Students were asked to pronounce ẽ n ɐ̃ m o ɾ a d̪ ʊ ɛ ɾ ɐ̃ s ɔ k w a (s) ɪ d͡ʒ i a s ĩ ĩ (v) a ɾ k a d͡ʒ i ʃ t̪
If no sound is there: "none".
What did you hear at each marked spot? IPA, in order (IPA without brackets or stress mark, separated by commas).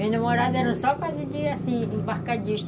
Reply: z, b